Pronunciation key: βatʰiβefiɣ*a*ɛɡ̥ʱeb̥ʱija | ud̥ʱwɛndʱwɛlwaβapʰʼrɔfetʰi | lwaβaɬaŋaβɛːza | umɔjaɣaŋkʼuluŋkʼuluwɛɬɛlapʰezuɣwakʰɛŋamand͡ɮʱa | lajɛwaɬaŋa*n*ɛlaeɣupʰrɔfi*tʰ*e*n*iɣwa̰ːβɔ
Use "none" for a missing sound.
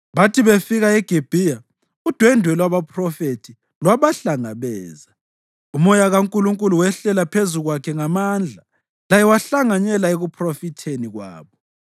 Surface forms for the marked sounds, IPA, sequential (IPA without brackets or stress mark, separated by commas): a, ɲ, tʰ, n